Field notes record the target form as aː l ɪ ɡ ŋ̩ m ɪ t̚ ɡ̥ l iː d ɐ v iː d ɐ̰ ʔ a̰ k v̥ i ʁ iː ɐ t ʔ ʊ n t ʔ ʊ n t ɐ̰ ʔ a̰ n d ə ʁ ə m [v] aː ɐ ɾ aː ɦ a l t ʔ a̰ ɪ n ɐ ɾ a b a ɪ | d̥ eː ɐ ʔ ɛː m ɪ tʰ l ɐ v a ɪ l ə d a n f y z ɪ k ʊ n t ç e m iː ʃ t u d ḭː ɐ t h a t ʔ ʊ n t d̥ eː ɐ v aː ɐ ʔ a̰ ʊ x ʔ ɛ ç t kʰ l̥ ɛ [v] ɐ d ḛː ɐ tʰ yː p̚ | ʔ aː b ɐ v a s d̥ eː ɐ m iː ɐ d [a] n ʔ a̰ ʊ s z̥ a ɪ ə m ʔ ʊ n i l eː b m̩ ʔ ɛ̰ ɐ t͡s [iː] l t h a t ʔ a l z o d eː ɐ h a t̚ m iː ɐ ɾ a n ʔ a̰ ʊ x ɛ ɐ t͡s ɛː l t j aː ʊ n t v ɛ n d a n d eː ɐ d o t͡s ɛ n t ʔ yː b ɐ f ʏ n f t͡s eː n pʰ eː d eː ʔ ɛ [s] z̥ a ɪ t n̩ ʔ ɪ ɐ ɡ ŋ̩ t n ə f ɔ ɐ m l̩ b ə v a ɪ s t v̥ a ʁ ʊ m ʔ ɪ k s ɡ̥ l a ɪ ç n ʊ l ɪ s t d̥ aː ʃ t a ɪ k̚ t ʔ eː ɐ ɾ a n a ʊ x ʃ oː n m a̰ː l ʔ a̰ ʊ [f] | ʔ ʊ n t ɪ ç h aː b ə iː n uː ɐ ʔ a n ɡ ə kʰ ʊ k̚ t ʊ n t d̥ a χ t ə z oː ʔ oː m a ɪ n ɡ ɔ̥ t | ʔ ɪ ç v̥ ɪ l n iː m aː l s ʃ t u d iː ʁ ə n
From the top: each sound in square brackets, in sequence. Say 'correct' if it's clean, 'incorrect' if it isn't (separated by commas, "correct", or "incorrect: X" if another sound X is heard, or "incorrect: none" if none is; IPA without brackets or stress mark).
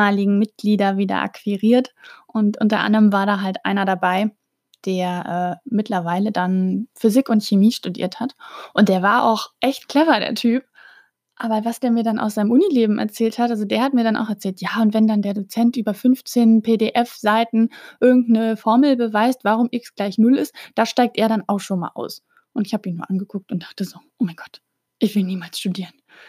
correct, correct, correct, incorrect: ɛː, incorrect: f, incorrect: s